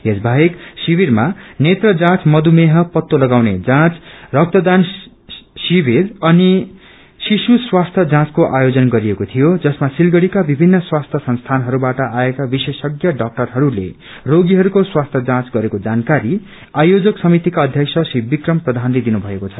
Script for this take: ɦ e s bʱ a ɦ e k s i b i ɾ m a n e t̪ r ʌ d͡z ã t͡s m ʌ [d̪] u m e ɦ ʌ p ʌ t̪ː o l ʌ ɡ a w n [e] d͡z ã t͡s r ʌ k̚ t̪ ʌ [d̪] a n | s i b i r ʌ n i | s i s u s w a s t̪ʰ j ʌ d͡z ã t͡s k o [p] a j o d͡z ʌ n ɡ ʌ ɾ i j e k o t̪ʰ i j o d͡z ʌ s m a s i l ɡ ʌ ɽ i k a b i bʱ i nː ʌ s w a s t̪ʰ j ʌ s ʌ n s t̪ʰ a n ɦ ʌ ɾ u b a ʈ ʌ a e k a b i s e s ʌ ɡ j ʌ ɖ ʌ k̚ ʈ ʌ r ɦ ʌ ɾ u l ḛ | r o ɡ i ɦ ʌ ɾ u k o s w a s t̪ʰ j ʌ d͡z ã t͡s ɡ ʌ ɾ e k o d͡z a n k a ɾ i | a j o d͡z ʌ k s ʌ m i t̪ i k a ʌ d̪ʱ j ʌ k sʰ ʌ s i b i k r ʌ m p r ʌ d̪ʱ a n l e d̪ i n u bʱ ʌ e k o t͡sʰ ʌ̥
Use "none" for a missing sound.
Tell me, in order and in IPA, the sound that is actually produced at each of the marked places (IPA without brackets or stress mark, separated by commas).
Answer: d̪, e, d̪, ʔ